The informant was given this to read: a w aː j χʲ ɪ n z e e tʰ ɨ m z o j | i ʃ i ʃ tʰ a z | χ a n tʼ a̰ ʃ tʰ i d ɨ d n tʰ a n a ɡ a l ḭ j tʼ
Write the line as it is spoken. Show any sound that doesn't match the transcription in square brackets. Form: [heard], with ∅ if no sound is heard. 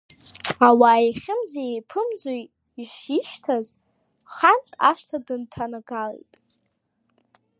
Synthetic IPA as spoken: a w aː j χʲ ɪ [m] z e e [pʰ] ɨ m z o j | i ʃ i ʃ tʰ a z | χ a n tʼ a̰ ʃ tʰ [a] d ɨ [∅] n tʰ a n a ɡ a l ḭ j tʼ